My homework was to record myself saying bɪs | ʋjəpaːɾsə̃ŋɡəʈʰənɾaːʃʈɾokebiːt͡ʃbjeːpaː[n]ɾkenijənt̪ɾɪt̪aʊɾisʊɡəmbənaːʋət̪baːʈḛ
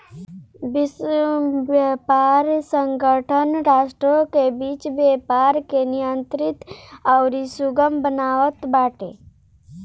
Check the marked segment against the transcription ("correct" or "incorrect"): incorrect